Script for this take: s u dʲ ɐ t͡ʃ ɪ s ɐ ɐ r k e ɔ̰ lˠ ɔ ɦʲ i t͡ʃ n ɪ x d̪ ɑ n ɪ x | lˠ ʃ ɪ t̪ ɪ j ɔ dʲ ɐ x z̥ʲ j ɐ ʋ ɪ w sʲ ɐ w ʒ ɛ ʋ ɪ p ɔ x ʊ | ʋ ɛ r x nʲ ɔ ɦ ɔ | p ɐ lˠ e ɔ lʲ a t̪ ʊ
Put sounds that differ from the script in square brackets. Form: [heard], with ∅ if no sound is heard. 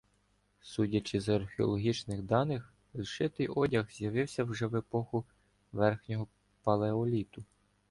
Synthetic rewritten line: s u dʲ ɐ t͡ʃ ɪ [z] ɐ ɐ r [x] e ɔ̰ lˠ ɔ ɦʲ i t͡ʃ n ɪ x d̪ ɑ n ɪ x | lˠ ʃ ɪ t̪ ɪ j ɔ dʲ ɐ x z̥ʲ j ɐ ʋ ɪ w sʲ ɐ w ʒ ɛ ʋ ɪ p ɔ x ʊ | ʋ ɛ r x nʲ ɔ ɦ ɔ | p ɐ lˠ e ɔ lʲ [i] t̪ ʊ